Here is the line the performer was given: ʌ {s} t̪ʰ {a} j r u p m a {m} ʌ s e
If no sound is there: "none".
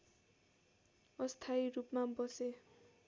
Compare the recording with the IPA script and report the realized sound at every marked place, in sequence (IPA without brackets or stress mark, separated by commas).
s, a, b